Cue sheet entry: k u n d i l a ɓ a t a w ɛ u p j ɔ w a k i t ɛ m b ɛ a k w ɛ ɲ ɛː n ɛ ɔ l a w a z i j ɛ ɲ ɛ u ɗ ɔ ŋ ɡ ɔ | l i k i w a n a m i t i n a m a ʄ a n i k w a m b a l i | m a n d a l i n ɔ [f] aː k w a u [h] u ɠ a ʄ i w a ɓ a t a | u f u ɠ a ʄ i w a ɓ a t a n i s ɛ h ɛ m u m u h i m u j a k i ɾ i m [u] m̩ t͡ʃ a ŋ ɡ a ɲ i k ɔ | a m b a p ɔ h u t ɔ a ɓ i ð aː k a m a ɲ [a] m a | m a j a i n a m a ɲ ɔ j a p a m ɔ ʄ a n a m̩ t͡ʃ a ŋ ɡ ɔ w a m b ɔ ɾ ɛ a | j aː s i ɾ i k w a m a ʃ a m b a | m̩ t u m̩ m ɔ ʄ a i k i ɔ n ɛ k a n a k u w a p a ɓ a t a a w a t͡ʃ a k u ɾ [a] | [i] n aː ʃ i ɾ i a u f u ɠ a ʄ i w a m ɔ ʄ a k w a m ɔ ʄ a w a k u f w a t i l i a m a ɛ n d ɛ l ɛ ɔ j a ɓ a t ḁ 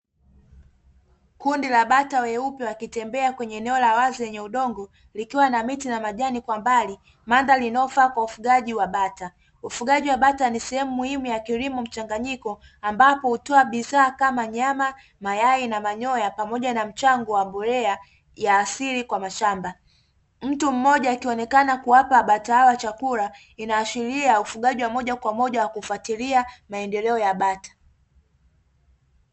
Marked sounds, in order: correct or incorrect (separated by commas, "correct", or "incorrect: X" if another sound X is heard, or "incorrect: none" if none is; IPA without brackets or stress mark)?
correct, incorrect: f, correct, correct, correct, correct